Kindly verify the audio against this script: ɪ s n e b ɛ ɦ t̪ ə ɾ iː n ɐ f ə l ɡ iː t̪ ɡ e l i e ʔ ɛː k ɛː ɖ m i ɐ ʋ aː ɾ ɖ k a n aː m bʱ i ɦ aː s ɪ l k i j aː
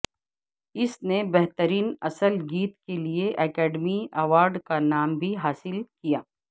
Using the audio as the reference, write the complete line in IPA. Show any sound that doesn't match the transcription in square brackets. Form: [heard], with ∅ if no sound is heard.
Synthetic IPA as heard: ɪ s n e b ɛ ɦ t̪ ə ɾ iː n ɐ [s] ə l ɡ iː t̪ [k] e l i e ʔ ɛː k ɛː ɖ m i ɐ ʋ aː ɾ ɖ k a n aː m bʱ i ɦ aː s ɪ l k i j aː

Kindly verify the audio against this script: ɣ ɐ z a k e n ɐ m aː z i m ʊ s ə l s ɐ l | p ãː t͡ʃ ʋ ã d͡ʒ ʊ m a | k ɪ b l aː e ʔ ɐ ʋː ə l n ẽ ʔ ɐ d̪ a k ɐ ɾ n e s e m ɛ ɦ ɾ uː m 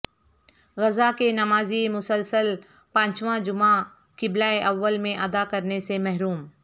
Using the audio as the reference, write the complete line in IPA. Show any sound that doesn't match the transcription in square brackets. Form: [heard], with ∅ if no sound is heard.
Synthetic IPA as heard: ɣ ɐ z a k e n ɐ m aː z i m ʊ s ə l s [ə] l | p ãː t͡ʃ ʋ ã d͡ʒ ʊ m a | k ɪ b l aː e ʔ ɐ ʋː ə l [m] ẽ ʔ ɐ d̪ a k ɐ ɾ n e s e m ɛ ɦ ɾ uː m

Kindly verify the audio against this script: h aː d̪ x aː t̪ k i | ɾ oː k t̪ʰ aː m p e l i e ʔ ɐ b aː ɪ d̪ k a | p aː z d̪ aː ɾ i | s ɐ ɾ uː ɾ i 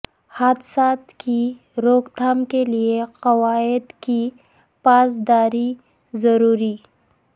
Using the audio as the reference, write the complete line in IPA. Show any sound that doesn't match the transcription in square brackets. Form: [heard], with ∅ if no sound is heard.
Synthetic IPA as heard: h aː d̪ [s] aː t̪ k i | ɾ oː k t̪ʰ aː m [k] e l i e [q] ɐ [w] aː ɪ d̪ k [i] | p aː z d̪ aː ɾ i | [z] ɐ ɾ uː ɾ i

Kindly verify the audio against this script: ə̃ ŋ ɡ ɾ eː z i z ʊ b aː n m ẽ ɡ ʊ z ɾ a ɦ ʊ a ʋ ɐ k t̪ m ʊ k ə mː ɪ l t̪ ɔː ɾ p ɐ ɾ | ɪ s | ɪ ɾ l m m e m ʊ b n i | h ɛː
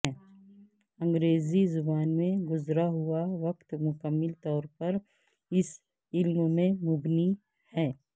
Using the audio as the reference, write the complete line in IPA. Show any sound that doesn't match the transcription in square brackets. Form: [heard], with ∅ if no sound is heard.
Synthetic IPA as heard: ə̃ ŋ ɡ ɾ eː z i z ʊ b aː n m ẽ ɡ ʊ z ɾ a ɦ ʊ a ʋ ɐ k t̪ m ʊ k ə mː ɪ l t̪ ɔː ɾ p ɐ ɾ | ɪ s | ɪ [∅] l m m [ẽ] m ʊ b n i | h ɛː

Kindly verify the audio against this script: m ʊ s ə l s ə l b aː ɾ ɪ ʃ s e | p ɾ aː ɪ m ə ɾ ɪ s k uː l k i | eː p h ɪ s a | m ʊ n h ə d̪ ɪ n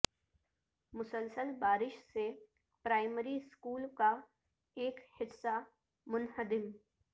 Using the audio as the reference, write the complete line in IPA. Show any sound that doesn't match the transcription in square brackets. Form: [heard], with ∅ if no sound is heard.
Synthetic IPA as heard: m ʊ s ə l s ə l b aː ɾ ɪ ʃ s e | p ɾ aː ɪ m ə ɾ [i] s k uː l k [a] | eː [k] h ɪ s a | m ʊ n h ə d̪ ɪ [m]

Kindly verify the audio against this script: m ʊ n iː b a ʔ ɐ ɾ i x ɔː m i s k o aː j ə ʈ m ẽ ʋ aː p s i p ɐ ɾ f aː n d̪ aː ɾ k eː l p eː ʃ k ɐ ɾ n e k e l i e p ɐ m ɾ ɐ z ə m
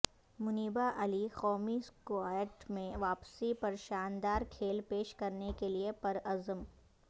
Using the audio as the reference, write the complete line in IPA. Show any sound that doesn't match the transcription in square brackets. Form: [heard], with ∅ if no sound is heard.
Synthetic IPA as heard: m ʊ n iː b a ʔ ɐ [l] i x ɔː m i s k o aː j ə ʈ m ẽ ʋ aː p s i p ɐ ɾ [ʃ] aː n d̪ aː ɾ [kʰ] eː l p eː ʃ k ɐ ɾ n e k e l i e p ɐ [∅] ɾ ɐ z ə m

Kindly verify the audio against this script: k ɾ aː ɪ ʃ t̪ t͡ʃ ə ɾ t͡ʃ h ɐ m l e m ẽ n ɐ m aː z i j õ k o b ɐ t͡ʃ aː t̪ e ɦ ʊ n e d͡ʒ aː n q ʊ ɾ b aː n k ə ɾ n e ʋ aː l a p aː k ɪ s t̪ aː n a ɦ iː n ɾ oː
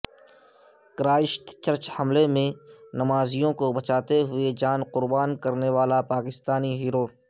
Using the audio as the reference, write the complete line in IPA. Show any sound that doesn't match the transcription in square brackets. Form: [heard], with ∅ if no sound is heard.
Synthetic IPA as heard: k ɾ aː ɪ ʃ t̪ t͡ʃ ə ɾ t͡ʃ h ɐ m l e m ẽ n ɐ m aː z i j õ k o b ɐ t͡ʃ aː t̪ e ɦ ʊ [∅] e d͡ʒ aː n q ʊ ɾ b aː n k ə ɾ n e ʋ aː l a p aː k ɪ s t̪ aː n [i] ɦ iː [∅] ɾ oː

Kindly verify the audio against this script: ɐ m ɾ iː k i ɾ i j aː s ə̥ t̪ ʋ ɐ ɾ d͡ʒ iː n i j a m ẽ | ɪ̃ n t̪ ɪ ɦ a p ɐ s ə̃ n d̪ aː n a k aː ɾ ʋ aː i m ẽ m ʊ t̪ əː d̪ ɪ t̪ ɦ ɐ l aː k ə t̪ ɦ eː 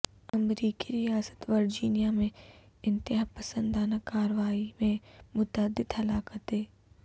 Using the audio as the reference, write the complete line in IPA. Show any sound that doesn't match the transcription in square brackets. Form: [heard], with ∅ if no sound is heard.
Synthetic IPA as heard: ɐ m ɾ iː k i ɾ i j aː s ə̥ t̪ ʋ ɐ ɾ d͡ʒ iː n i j a m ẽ | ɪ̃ n t̪ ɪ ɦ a p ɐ s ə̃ n d̪ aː n a k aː ɾ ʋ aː i m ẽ m ʊ t̪ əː d̪ ɪ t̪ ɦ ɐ l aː k ə t̪ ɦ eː

